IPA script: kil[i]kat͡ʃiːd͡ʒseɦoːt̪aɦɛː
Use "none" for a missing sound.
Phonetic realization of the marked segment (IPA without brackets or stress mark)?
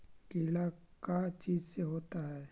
a